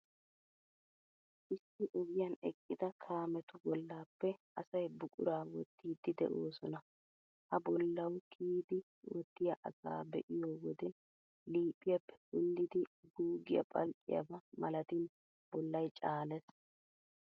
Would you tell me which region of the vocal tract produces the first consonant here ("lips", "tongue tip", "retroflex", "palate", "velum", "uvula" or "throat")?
throat